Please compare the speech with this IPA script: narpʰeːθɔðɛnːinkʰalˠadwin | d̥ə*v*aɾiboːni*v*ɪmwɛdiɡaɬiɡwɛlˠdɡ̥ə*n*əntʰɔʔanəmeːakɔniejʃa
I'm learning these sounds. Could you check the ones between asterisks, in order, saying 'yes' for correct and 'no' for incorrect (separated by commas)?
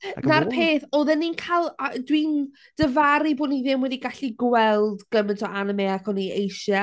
yes, no, no